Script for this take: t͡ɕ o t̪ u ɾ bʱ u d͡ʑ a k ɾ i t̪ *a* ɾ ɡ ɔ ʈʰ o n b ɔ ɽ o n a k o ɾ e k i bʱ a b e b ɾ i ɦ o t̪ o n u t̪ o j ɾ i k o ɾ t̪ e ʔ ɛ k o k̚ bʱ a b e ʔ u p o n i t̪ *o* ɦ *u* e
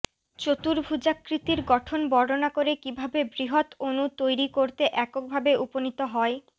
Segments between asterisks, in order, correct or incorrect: incorrect: i, correct, incorrect: ɔ

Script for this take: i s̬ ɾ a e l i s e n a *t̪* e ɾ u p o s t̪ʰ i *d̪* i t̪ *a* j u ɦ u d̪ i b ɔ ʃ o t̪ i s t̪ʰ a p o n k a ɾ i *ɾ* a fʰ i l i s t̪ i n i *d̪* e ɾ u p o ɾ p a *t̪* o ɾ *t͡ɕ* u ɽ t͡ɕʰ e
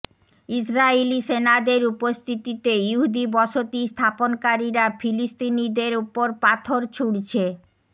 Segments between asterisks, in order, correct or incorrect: incorrect: d̪, incorrect: t̪, incorrect: e, correct, correct, incorrect: t̪ʰ, incorrect: t͡ɕʰ

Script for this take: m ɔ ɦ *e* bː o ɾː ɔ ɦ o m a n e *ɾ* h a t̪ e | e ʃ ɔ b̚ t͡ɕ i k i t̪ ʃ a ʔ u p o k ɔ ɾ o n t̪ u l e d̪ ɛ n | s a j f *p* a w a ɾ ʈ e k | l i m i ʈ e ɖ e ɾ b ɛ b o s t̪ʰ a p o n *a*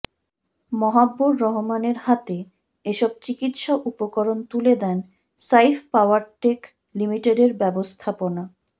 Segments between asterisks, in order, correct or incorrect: incorrect: a, correct, correct, correct

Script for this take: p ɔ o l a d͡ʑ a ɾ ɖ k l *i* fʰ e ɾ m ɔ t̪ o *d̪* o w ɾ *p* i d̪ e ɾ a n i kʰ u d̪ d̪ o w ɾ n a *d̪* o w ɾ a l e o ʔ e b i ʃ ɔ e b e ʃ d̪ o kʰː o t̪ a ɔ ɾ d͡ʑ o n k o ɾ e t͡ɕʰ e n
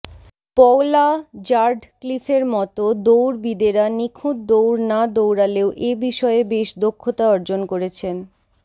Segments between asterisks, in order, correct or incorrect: correct, correct, incorrect: b, correct

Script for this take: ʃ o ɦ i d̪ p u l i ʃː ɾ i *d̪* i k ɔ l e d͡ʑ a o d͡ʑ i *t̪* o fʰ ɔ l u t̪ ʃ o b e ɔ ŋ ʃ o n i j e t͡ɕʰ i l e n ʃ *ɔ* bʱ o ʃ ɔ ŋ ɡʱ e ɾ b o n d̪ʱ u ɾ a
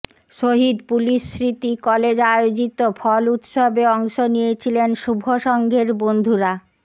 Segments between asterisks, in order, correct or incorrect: incorrect: t̪, correct, incorrect: u

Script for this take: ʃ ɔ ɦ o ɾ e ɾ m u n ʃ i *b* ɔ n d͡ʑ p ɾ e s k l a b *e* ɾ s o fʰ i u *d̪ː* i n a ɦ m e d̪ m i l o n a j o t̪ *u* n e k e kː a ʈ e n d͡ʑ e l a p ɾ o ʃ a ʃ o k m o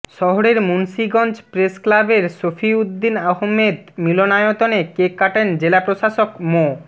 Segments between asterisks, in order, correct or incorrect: incorrect: ɡ, correct, correct, incorrect: o

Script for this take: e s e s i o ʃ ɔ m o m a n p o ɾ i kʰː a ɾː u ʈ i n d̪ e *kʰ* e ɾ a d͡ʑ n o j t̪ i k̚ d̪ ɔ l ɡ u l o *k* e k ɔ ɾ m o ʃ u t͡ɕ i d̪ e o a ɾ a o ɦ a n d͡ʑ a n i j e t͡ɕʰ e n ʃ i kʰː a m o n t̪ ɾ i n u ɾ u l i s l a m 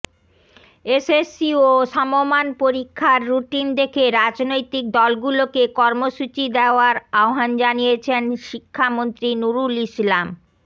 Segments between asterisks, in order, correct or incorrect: correct, correct

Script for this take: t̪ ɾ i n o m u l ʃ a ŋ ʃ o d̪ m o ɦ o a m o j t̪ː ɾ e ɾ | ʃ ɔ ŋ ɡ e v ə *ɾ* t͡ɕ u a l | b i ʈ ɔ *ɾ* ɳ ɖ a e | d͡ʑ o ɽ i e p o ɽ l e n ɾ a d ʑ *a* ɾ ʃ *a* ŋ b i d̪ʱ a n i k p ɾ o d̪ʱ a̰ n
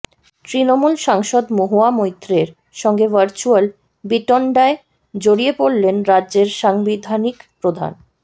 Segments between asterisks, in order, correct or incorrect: correct, incorrect: none, incorrect: e, correct

